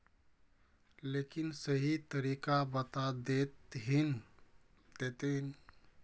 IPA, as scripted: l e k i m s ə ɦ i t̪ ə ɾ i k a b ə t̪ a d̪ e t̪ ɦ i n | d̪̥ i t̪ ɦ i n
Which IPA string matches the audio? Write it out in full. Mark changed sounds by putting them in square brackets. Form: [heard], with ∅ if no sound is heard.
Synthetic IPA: l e k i [n] s ə ɦ i t̪ ə ɾ i k a b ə t̪ a d̪ e t̪ ɦ i n | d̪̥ [e] t̪ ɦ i n